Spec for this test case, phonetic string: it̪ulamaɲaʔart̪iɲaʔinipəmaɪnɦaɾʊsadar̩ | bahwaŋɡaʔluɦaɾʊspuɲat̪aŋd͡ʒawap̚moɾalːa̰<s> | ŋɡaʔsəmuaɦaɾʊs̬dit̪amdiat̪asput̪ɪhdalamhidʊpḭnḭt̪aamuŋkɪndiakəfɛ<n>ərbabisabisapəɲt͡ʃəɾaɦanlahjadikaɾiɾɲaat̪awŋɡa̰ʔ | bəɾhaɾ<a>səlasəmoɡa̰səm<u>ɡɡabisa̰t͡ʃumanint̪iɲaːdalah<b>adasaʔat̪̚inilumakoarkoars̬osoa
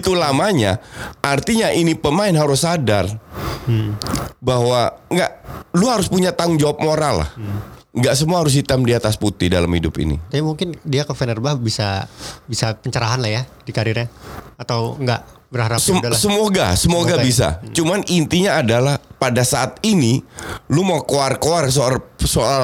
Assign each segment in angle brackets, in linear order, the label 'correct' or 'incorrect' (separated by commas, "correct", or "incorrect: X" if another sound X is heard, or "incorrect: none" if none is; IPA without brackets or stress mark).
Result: incorrect: h, correct, correct, incorrect: o, incorrect: p